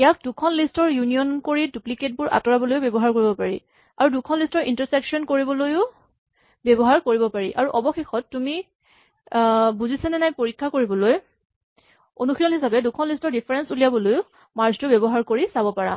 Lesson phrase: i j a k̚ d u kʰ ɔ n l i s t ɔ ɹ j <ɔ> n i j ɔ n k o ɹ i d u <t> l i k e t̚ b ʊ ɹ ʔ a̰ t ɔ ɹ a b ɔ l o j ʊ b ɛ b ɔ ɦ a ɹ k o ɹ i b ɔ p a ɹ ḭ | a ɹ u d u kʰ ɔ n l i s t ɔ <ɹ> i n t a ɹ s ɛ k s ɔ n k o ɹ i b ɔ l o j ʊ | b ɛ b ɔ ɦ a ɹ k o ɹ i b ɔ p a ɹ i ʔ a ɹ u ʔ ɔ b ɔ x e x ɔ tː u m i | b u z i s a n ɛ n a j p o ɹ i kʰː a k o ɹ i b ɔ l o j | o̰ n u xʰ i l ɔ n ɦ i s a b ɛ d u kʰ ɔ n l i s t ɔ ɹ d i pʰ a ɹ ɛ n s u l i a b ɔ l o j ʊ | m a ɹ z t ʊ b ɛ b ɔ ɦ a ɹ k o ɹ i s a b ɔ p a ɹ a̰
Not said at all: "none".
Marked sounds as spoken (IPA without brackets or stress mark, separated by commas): u, p, ɹ